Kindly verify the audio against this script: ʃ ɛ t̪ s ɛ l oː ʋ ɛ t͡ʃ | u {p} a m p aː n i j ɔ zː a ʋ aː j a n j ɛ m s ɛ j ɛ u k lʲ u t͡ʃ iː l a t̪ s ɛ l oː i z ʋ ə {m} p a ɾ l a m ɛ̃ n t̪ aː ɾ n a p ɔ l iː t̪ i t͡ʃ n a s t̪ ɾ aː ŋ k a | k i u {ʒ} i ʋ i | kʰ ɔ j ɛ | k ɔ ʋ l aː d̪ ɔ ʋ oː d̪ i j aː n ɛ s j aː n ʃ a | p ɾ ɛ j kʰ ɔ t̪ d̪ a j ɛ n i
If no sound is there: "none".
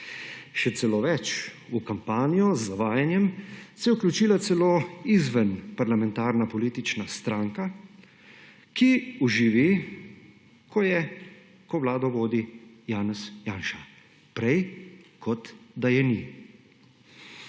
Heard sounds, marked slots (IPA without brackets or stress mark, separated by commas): k, n, ʒ